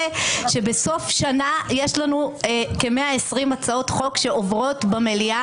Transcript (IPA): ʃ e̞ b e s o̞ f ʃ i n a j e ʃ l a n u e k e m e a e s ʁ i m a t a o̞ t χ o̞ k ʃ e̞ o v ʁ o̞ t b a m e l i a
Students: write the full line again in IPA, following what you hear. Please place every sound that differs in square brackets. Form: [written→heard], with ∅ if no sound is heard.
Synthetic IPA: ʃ e̞ b e s o̞ f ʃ [i→a] n a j e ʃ l a n u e k e m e a e s ʁ i m a [t→t͡s] a o̞ t χ o̞ k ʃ e̞ o v ʁ o̞ t b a m e l i a